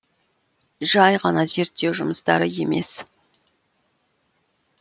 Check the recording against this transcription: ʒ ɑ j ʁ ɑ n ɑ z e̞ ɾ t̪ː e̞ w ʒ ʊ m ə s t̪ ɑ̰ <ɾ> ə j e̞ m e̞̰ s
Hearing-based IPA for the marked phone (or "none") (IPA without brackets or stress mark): ɾ